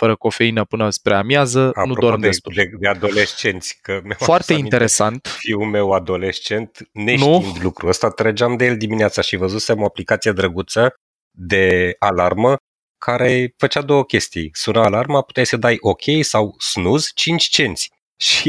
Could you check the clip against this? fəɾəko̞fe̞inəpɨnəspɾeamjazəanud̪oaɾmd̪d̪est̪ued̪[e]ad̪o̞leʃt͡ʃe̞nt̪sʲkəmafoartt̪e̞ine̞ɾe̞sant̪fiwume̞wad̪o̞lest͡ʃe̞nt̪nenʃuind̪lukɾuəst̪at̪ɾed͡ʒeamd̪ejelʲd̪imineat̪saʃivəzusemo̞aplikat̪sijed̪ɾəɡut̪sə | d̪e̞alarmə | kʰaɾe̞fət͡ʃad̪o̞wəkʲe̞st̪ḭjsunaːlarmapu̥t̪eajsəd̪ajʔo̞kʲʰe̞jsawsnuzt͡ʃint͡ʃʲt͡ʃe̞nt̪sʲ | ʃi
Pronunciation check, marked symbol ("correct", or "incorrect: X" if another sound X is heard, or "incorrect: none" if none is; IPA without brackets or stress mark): correct